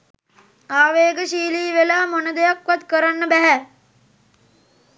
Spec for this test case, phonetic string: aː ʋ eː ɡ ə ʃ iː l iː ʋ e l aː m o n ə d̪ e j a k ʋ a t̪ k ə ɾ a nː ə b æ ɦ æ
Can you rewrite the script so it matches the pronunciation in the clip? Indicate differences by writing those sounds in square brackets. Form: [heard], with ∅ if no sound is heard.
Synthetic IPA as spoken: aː ʋ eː ɡ ə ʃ iː l iː ʋ e l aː m o n ə d̪ e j a k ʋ a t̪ k ə ɾ a nː ə b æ ɦ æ